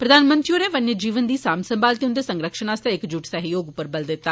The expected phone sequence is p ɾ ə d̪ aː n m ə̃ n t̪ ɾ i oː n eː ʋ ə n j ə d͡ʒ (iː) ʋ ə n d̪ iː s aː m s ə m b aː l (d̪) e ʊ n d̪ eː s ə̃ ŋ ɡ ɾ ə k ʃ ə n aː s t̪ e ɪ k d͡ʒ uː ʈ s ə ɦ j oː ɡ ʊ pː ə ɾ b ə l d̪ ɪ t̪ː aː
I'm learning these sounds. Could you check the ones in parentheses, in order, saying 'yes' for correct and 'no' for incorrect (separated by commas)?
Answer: yes, no